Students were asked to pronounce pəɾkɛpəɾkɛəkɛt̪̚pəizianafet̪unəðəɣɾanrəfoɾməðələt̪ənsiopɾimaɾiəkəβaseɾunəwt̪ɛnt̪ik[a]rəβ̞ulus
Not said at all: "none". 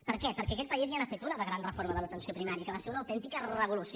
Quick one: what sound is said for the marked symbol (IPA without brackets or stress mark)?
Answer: ə